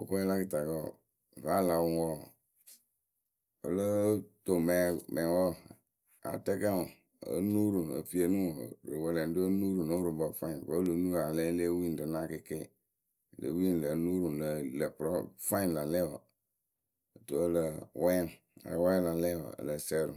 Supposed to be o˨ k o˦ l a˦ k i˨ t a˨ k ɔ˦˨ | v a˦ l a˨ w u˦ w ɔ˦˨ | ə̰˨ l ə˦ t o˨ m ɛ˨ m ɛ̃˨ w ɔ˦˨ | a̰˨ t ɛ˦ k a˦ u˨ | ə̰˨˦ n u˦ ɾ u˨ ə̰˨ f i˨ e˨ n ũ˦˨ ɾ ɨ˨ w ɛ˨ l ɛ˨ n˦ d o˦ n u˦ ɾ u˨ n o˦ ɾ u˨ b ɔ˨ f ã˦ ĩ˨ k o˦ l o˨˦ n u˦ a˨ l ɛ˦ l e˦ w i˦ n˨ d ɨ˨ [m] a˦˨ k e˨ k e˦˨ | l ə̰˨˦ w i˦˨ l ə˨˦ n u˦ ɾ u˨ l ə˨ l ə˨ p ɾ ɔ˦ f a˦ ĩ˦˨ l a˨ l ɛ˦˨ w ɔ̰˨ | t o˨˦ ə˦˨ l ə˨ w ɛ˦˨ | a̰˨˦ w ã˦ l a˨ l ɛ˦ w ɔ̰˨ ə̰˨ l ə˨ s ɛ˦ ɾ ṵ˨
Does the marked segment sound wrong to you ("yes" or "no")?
yes